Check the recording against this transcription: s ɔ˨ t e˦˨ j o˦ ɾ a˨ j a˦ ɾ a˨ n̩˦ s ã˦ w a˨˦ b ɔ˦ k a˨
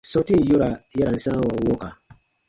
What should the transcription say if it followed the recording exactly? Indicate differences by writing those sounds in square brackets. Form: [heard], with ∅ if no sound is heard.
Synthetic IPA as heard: s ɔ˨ t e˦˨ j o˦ ɾ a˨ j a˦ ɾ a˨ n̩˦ s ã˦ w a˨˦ [w] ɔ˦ k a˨